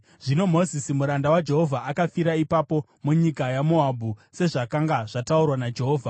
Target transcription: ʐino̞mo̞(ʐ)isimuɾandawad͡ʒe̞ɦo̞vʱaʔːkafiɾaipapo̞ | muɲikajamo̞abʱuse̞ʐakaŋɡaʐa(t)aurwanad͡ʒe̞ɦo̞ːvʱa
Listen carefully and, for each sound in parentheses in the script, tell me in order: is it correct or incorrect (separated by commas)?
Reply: incorrect, correct